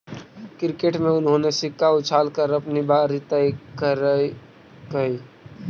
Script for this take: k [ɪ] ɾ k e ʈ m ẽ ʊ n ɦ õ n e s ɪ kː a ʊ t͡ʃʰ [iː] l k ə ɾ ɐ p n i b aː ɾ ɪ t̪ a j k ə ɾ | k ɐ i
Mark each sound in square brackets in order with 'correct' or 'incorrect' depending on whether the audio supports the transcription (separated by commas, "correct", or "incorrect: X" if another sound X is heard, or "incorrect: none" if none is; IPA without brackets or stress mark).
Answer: correct, incorrect: aː